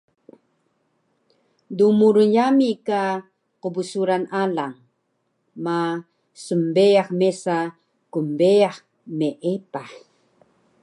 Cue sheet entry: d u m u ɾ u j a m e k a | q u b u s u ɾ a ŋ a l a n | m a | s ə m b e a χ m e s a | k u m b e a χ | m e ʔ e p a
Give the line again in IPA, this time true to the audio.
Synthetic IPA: d u m u ɾ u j a m i k a | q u b u s u ɾ a n a l a ŋ | m a | s ə m b e a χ m e s a | k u m b e a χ | m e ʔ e p a